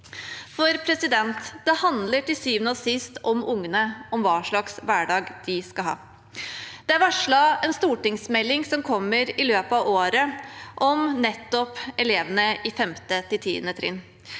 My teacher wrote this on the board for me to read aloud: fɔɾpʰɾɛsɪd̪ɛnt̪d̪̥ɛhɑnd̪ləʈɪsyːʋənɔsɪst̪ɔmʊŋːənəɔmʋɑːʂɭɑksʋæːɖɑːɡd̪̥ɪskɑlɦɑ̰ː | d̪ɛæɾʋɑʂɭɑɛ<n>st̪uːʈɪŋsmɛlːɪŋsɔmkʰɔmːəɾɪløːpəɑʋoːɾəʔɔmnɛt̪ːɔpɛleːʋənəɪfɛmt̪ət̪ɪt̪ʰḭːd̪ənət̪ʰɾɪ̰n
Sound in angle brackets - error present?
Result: no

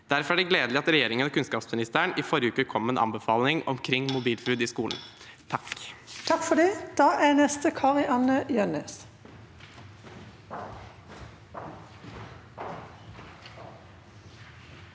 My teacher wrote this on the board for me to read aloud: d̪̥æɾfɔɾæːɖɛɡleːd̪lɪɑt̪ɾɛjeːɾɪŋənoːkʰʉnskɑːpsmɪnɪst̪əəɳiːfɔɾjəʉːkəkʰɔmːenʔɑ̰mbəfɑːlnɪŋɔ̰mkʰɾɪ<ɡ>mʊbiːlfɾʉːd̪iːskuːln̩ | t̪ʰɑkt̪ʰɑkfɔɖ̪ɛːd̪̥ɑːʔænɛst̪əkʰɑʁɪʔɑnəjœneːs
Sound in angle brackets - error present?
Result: yes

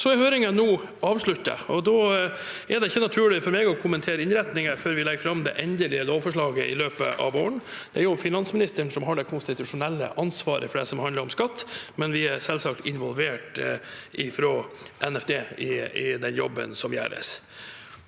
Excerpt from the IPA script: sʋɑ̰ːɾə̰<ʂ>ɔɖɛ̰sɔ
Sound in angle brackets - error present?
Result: yes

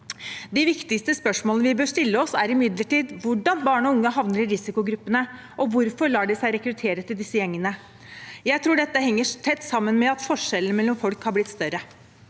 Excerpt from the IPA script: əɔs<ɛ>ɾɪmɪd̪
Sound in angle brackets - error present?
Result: yes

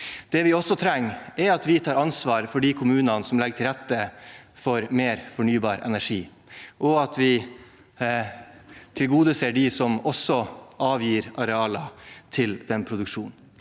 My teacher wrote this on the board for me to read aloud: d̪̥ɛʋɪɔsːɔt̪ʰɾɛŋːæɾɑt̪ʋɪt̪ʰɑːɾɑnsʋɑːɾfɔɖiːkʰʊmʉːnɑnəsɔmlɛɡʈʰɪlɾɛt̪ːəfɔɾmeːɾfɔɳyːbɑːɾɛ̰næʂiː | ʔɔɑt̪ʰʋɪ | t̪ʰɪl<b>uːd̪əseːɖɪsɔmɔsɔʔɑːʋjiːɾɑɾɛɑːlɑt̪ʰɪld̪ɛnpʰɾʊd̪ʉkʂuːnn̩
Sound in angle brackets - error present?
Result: yes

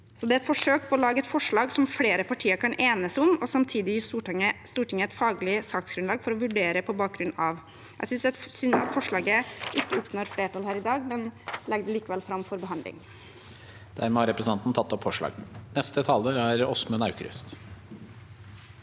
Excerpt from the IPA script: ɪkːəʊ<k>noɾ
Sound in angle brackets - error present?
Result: yes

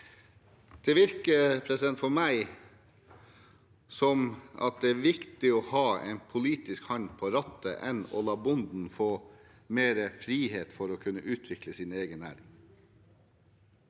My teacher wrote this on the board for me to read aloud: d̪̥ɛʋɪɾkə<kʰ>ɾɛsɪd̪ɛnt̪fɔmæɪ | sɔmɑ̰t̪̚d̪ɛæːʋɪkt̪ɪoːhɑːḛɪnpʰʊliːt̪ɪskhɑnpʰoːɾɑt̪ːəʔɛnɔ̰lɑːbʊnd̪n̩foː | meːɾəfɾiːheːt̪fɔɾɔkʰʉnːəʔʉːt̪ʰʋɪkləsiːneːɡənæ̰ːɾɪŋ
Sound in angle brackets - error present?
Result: yes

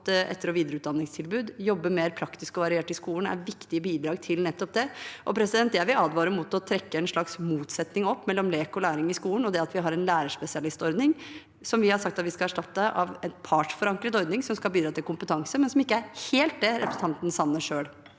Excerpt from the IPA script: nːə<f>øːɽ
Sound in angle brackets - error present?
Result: yes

